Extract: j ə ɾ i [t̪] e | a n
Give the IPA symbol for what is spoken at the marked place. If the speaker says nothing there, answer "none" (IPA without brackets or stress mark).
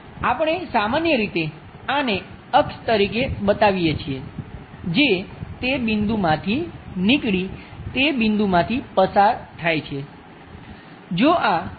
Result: t̪